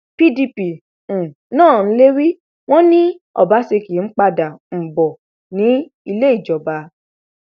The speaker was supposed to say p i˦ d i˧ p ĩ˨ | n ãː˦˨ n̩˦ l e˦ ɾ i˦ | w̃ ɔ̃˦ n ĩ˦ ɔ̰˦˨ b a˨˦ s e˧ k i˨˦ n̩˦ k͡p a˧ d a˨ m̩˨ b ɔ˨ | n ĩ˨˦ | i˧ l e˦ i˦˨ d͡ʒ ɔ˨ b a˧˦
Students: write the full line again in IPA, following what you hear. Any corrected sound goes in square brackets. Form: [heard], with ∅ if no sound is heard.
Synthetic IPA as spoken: p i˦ d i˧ p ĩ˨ | n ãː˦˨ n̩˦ l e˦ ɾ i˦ | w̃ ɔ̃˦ n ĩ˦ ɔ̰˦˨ b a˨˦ s e˧ k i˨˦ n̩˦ k͡p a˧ d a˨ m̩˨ b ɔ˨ | n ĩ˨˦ | i˧ l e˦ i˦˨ d͡ʒ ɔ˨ b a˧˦